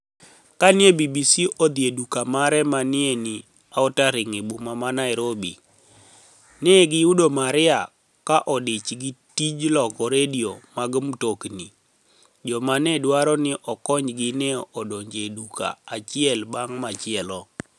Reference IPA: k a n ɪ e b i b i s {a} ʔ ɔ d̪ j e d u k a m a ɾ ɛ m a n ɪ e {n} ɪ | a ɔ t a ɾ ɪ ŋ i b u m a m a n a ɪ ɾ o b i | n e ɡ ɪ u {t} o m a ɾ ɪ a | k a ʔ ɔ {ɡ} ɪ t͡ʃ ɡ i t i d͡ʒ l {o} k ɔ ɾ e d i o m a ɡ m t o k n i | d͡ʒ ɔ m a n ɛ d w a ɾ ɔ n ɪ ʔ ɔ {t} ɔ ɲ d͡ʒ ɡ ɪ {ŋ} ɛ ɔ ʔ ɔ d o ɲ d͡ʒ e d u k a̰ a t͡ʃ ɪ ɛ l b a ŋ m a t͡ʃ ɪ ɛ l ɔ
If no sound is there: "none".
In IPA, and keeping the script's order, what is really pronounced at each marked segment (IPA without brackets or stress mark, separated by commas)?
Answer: i, n, d, d, ɔ, k, n